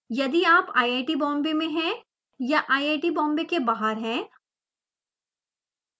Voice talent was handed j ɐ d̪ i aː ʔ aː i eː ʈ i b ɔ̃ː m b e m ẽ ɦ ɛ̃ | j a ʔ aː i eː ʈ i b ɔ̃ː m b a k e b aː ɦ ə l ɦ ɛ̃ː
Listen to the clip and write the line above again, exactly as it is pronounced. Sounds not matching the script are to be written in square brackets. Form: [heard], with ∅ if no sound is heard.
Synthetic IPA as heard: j ɐ d̪ i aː [p] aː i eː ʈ i b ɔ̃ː m b e m ẽ ɦ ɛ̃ | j a ʔ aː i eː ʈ i b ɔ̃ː m b [e] k e b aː ɦ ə [ɾ] ɦ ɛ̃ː